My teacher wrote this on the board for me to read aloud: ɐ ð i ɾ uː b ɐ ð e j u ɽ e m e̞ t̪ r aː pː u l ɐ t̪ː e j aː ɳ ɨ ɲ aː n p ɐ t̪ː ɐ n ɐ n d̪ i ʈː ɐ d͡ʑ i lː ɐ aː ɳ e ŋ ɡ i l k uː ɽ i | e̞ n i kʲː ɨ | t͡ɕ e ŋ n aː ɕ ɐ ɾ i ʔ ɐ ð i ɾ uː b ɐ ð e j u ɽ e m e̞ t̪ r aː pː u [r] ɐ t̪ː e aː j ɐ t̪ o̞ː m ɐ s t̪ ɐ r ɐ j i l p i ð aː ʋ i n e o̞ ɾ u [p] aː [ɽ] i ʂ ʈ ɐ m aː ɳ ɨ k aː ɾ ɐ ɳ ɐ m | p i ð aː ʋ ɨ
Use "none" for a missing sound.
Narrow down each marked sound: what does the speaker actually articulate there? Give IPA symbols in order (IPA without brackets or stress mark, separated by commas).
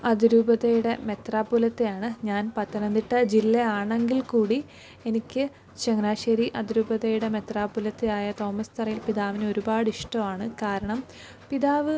l, b, ɽ